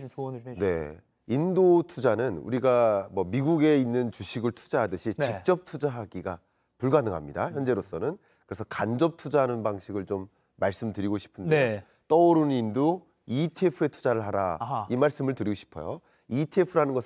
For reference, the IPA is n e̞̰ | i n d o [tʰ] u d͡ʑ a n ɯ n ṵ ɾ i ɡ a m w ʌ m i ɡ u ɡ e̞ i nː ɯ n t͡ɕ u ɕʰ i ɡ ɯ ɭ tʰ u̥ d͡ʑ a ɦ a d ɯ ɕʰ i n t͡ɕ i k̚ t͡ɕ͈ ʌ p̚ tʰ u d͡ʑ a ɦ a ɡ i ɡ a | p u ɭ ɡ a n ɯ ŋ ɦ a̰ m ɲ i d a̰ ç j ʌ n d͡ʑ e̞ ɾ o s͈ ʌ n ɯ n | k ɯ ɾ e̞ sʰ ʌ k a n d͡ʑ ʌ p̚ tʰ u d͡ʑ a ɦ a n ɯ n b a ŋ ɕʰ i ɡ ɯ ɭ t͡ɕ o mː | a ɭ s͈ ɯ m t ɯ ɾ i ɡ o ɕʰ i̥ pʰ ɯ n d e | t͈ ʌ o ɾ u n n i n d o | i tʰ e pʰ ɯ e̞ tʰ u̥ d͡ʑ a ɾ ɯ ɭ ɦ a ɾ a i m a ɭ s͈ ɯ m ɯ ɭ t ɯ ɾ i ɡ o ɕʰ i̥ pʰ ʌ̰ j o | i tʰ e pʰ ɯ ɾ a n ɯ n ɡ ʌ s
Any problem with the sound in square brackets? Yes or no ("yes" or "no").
no